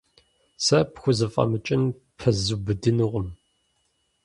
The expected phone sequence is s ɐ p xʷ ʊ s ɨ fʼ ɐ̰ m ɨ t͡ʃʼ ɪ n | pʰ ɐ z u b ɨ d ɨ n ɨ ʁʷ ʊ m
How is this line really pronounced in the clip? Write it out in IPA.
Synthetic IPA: s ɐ p xʷ ʊ z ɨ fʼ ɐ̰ m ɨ t͡ʃʼ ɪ n | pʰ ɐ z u b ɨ d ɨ n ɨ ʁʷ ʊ m